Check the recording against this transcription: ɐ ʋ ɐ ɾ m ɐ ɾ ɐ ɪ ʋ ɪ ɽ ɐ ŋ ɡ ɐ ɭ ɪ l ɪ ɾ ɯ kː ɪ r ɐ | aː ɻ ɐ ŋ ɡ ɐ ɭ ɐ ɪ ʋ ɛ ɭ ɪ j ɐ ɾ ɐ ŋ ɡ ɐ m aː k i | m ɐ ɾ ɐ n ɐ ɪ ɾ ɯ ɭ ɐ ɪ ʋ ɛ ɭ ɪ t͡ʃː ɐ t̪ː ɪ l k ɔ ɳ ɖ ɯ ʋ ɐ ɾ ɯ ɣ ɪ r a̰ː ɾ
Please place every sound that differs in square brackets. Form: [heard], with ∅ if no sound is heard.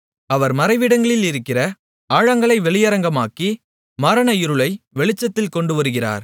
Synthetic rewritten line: ɐ ʋ ɐ ɾ m ɐ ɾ ɐ ɪ ʋ ɪ ɽ ɐ ŋ ɡ ɐ ɭ ɪ l ɪ ɾ ɯ kː ɪ r ɐ | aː ɻ ɐ ŋ ɡ ɐ ɭ ɐ ɪ ʋ ɛ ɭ ɪ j ɐ ɾ ɐ ŋ ɡ ɐ m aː k i | m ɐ ɾ ɐ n ɐ ɪ ɾ ɯ ɭ ɐ ɪ ʋ ɛ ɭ ɪ t͡ʃː ɐ t̪ː ɪ l k ɔ ɳ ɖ ɯ ʋ ɐ ɾ ɯ ɣ ɪ r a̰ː ɾ